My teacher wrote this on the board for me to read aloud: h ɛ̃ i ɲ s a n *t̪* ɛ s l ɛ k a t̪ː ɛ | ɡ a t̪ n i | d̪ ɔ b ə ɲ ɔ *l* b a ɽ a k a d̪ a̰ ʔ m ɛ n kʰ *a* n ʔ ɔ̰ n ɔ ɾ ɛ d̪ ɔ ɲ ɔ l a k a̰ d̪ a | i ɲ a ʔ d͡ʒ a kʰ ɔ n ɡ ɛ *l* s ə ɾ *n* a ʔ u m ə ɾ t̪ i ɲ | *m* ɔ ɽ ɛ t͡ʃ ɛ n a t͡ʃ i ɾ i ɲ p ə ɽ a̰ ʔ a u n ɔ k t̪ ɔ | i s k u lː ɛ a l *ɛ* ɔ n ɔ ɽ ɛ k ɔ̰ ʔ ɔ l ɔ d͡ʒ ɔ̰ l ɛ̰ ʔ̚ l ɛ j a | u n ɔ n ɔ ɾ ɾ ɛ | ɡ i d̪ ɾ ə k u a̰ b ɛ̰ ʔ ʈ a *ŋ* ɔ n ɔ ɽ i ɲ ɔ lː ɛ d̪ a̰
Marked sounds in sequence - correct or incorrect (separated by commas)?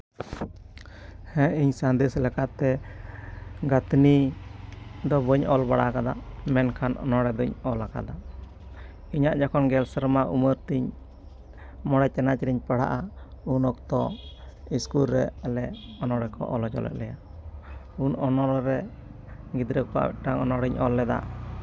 incorrect, correct, correct, correct, incorrect, correct, correct, correct